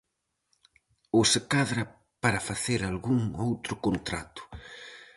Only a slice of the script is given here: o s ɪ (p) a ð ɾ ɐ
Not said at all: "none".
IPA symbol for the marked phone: k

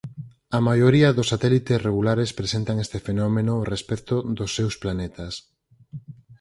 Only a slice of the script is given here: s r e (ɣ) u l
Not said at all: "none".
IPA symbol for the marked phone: ɣ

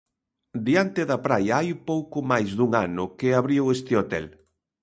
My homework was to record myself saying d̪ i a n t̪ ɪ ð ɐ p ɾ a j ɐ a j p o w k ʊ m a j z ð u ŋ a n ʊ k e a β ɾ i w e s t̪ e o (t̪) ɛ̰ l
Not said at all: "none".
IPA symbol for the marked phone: t̪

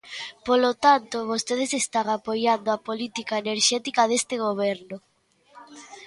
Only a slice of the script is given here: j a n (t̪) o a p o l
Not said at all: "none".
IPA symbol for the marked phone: d̪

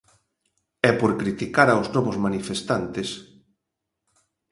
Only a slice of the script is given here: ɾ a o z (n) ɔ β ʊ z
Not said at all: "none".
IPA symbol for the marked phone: n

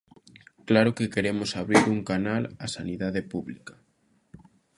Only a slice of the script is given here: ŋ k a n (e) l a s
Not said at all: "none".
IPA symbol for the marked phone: a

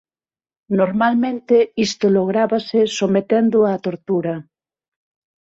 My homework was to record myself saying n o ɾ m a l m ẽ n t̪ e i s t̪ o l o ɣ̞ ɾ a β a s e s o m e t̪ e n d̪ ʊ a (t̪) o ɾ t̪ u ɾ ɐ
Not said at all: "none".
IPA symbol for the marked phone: t̪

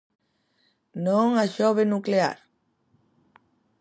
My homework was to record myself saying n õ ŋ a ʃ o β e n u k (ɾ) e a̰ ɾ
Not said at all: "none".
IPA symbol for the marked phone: l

